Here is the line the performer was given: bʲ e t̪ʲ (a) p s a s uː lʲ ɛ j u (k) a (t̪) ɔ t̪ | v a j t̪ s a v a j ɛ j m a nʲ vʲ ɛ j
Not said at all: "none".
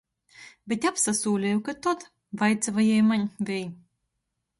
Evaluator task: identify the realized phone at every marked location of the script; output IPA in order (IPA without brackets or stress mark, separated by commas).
a, k, t̪